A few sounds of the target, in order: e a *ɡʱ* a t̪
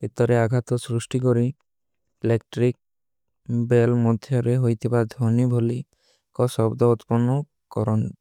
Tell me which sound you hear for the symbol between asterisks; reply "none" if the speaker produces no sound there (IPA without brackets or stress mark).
ɡʱ